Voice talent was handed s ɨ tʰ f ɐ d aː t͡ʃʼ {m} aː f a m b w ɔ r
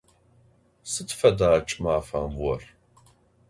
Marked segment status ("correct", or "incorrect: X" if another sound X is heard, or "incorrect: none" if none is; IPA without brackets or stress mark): correct